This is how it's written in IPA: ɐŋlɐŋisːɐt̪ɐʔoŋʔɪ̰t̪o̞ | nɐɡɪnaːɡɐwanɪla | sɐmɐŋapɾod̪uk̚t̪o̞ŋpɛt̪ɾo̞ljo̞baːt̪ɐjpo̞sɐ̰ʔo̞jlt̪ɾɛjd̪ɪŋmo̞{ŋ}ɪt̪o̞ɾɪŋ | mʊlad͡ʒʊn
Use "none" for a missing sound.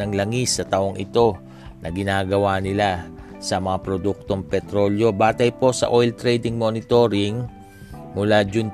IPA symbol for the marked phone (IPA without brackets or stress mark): n